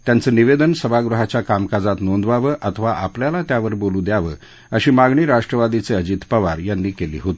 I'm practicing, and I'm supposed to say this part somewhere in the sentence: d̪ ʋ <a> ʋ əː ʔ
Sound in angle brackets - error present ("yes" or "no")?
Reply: no